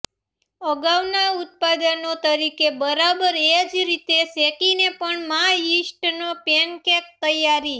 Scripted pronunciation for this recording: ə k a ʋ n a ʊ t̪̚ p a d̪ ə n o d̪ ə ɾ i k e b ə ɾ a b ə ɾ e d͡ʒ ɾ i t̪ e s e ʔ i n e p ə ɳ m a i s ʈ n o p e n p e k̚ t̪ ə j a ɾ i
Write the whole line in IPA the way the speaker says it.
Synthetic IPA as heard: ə ɡ a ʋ n a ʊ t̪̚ p a d̪ ə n o t̪ ə ɾ i k e b ə ɾ a b ə ɾ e d͡ʒ ɾ i t̪ e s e k i n e p ə ɳ m a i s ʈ n o p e n k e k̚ t̪ ə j a ɾ i